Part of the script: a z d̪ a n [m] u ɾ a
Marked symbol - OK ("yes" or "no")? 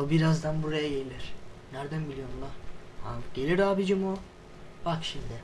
no